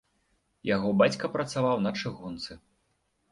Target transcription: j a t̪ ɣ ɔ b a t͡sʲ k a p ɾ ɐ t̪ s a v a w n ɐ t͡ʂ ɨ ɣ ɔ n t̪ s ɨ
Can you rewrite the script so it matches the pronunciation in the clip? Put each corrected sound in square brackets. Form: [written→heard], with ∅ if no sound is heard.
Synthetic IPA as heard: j a [t̪→∅] ɣ ɔ b a t͡sʲ k [a→ɐ] p ɾ ɐ t̪ s a v a w n ɐ t͡ʂ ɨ ɣ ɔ n t̪ s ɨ